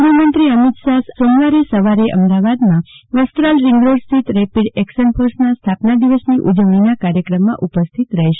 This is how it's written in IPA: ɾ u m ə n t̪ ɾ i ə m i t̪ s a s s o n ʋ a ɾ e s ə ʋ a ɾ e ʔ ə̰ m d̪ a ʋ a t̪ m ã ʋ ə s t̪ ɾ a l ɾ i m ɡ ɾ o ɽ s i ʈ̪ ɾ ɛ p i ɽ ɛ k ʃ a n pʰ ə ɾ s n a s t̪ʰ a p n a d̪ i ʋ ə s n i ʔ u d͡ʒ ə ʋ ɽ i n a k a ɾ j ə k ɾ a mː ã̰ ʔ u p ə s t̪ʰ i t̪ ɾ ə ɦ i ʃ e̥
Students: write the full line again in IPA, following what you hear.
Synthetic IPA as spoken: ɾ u m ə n t̪ ɾ i ə m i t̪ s a s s o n ʋ a ɾ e s ə ʋ a ɾ e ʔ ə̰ m d̪ a ʋ a d̪ m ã ʋ ə s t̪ ɾ a l ɾ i ŋ ɡ ɾ o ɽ s i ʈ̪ ɾ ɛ p i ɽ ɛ k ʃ ə n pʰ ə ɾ s n a s t̪ʰ a p n a d̪ i ʋ ə s n i ʔ u d͡ʒ ə ʋ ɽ i n a k a ɾ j ə k ɾ ə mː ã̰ ʔ u p ə s t̪ʰ i t̪ ɾ ə ɦ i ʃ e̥